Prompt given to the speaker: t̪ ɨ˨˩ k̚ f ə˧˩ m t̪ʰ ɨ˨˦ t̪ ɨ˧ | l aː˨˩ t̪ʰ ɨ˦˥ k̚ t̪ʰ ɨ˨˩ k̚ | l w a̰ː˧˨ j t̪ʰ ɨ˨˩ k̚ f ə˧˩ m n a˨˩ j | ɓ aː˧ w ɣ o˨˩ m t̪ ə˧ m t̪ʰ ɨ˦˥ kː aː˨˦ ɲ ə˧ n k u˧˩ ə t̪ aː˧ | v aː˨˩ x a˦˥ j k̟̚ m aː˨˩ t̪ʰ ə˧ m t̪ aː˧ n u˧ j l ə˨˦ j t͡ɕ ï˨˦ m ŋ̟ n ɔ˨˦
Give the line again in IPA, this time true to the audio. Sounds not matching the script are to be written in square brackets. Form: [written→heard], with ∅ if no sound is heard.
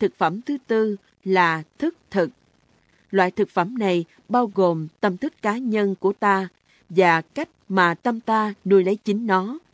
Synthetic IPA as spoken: t̪ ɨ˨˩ k̚ f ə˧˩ m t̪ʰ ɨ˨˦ t̪ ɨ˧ | l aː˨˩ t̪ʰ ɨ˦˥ k̚ t̪ʰ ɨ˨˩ k̚ | l w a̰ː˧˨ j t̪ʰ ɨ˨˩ k̚ f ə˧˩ m n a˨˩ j | ɓ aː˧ w ɣ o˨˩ m t̪ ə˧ m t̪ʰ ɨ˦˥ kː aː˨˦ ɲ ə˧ n k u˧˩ ə t̪ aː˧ | v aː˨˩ [x→k] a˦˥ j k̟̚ m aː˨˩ [t̪ʰ→t̪] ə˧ m t̪ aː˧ n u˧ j l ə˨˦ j t͡ɕ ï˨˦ [m→∅] ŋ̟ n ɔ˨˦